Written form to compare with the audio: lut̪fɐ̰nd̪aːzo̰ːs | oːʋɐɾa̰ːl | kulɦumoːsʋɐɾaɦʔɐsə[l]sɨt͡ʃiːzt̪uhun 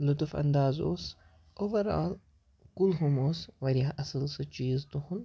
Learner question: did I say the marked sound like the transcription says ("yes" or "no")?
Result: yes